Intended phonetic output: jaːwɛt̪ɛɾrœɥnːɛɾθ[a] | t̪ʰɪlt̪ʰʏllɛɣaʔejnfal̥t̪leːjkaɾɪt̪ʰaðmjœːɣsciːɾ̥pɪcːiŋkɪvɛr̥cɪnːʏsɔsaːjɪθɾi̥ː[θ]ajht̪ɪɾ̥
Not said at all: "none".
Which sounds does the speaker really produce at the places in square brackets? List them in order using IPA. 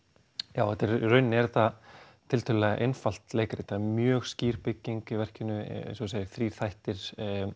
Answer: a, θ

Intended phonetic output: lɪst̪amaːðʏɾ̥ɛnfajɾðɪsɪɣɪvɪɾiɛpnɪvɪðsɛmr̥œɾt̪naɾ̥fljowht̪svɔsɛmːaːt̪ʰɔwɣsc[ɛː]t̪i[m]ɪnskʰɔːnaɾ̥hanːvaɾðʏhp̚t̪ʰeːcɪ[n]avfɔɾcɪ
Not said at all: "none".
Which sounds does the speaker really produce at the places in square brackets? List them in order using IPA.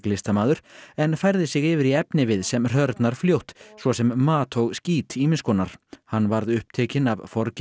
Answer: iː, m, n

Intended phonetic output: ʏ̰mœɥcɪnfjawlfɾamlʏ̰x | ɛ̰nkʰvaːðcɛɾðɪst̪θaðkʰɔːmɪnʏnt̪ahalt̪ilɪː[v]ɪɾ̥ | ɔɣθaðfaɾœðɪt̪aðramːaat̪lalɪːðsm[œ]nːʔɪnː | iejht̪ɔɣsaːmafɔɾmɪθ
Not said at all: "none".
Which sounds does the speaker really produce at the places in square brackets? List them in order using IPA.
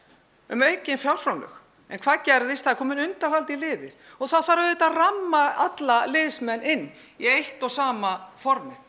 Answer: ð, ɛ

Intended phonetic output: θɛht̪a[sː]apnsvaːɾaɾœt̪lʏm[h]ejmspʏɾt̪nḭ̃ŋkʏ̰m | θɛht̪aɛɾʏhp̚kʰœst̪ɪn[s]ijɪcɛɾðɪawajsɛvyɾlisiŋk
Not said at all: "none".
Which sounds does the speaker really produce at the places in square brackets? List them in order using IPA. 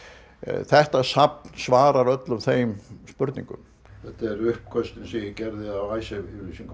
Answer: s, θ, s

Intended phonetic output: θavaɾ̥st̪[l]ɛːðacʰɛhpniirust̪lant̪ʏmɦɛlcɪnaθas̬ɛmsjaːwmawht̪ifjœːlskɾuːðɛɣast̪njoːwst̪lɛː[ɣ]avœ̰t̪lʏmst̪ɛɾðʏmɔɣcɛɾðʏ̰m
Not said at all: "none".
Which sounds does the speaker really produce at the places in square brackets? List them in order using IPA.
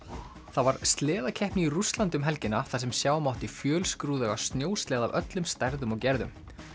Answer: l, ð

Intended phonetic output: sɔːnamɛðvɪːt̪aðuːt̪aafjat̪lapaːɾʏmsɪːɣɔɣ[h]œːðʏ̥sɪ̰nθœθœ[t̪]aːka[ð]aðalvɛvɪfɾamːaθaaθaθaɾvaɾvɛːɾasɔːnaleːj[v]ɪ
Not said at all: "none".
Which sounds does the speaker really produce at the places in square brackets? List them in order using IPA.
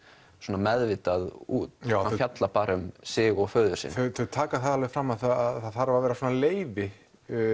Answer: f, t̪ʰ, θ, v

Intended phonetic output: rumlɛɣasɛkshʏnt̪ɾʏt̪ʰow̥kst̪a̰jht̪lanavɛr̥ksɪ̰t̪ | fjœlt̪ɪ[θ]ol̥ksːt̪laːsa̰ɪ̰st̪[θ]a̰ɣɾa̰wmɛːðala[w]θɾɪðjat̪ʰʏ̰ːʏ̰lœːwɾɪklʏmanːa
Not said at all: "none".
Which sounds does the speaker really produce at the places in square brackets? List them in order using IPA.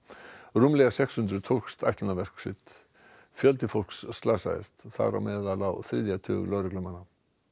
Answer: f, θ, w

